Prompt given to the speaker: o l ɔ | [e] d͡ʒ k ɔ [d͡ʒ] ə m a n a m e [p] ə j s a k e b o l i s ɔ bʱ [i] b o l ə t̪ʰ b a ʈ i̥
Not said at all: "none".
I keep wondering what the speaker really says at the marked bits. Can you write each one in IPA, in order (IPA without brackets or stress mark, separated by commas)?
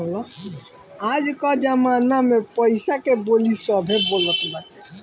a, d͡ʒ, p, e